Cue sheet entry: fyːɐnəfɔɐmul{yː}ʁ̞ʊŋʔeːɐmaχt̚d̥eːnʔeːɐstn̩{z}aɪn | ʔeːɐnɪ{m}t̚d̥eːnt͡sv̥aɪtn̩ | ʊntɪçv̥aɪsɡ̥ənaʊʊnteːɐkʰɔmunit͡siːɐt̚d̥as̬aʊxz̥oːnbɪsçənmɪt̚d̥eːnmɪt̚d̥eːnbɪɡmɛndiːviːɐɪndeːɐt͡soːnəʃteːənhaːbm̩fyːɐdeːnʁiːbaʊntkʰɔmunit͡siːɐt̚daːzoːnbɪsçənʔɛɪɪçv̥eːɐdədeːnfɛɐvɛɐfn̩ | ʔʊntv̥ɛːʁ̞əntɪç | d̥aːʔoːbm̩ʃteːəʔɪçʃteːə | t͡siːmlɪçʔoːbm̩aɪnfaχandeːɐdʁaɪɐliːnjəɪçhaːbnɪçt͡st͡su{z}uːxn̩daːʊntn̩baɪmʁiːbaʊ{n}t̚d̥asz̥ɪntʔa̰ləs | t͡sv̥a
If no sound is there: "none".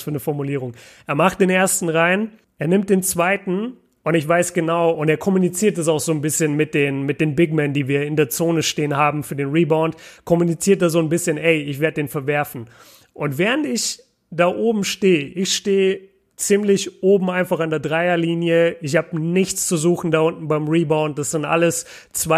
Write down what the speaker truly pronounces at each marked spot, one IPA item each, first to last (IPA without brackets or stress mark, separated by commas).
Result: iː, ʁ, m, z, n